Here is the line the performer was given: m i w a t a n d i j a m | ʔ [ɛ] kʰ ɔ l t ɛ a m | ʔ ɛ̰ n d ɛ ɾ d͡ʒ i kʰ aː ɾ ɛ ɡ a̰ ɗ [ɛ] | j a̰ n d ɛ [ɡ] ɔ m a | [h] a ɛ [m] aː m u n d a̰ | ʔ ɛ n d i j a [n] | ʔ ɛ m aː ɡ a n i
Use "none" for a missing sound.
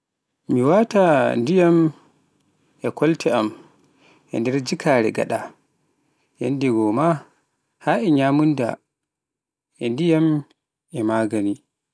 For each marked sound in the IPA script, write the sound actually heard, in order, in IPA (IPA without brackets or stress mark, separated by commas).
ɛ, a, ɡ, h, ɲ, m